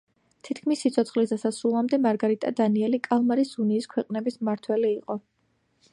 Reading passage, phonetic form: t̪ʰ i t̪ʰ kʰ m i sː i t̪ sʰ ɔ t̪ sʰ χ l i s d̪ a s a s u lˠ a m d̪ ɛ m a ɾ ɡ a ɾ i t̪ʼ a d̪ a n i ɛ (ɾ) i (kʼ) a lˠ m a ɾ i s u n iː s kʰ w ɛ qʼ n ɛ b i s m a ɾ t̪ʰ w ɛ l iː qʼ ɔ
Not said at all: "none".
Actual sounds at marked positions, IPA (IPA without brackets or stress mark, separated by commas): l, kʼ